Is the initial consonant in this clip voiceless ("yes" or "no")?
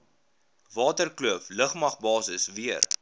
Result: no